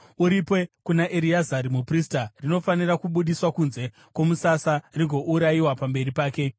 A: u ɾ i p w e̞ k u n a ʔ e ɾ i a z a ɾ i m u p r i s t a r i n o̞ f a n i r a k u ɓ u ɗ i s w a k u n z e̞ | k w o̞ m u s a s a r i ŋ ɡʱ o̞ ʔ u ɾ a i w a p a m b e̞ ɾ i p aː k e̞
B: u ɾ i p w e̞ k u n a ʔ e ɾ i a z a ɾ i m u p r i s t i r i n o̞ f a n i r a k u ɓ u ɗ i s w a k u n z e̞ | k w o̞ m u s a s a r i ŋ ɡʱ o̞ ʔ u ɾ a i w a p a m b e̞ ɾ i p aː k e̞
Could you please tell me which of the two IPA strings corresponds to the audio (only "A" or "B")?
A